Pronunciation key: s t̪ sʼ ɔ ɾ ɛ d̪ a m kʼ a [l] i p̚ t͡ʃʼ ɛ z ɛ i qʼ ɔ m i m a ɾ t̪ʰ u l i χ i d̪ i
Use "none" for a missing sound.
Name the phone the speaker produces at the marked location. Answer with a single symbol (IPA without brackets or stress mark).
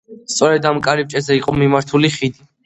ɾ